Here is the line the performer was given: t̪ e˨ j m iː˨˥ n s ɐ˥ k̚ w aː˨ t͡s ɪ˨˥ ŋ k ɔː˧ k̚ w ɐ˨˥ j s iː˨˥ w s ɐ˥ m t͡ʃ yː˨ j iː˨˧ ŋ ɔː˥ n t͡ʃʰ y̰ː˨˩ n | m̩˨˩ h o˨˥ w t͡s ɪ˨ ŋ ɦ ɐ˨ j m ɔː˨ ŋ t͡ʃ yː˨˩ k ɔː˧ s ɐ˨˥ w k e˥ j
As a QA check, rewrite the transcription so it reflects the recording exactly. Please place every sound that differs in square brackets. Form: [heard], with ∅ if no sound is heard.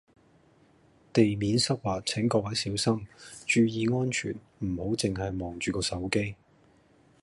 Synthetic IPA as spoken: t̪ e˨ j m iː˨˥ n s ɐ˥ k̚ w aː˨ [t͡sʰ] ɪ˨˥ ŋ k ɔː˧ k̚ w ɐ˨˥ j s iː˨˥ w s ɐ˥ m t͡ʃ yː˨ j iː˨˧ ŋ ɔː˥ n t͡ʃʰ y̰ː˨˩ n | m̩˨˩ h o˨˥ w t͡s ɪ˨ ŋ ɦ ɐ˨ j m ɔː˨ ŋ t͡ʃ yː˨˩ k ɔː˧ s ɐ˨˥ w k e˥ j